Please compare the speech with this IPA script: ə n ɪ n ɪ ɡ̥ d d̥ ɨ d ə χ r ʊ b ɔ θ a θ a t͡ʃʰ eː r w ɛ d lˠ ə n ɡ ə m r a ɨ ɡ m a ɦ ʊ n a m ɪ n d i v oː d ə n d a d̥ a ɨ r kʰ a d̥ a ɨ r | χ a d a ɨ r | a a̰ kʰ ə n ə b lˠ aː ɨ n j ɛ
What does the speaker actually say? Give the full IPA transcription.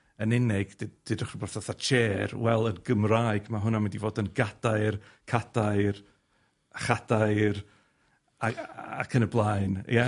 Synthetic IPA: ə n ɪ n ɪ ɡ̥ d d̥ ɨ d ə χ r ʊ b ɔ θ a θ a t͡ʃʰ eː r w ɛ lˠ ə n ɡ ə m r a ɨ ɡ m a ɦ ʊ n a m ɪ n d i v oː d ə n ɡ a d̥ a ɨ r kʰ a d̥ a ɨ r | χ a d a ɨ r | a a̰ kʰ ə n ə b lˠ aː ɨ n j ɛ